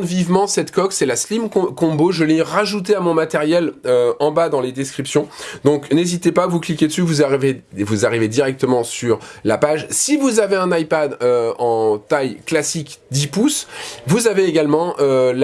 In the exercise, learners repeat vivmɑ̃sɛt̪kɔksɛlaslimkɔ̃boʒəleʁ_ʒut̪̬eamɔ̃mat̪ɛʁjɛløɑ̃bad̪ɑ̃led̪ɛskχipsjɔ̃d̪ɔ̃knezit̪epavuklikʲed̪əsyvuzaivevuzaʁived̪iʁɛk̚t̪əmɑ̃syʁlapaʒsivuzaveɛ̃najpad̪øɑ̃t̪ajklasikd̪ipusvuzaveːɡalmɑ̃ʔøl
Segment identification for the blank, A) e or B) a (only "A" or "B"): B